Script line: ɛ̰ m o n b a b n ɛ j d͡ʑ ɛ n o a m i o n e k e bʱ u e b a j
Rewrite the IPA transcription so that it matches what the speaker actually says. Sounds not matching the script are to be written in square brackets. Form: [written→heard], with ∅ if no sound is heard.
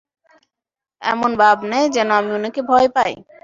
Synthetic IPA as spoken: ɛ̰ m o n b a b n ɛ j d͡ʑ ɛ n o a m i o n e k e bʱ [u→ɔ] e [b→p] a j